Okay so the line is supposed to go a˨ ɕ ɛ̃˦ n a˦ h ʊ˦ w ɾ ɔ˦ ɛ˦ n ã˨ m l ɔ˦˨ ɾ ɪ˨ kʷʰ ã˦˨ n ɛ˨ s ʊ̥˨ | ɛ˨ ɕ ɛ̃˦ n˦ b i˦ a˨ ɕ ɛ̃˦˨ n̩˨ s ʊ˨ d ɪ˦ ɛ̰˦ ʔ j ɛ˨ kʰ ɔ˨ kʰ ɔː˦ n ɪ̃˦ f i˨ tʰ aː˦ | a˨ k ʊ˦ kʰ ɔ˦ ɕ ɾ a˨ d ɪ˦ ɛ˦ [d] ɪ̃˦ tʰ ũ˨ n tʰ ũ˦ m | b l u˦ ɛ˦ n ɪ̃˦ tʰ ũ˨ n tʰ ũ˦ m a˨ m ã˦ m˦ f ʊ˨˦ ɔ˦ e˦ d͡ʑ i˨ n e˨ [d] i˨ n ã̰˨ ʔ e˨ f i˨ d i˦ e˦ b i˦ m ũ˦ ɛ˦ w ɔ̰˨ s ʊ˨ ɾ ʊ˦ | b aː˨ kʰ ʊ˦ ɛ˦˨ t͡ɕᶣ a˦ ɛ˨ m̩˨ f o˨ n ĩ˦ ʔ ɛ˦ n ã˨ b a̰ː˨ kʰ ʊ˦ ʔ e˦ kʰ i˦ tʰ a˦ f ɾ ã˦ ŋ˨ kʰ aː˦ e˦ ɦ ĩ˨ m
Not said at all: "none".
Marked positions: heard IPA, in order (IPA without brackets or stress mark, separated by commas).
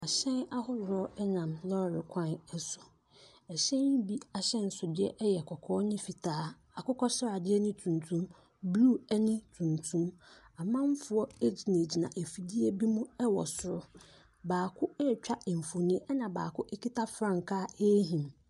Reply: n, d͡ʑ